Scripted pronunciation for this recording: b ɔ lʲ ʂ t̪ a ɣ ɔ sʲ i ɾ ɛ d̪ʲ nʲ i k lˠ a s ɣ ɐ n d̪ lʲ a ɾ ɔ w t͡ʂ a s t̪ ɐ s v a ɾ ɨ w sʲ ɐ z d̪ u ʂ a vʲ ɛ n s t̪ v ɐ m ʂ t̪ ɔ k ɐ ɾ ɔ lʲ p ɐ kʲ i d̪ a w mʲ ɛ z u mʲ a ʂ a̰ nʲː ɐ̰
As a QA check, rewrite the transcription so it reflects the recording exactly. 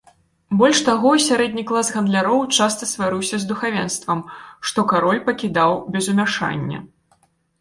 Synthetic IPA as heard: b ɔ lʲ ʂ t̪ a ɣ ɔ sʲ a ɾ ɛ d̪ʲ nʲ i k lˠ a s ɣ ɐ n d̪ lʲ a ɾ ɔ w t͡ʂ a s t̪ ɐ s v a ɾ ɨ w sʲ ɐ z d̪ u x a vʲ ɛ n s t̪ v ɐ m ʂ t̪ ɔ k a ɾ ɔ lʲ p ɐ kʲ i d̪ a w bʲ ɛ z u mʲ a ʂ a̰ nʲː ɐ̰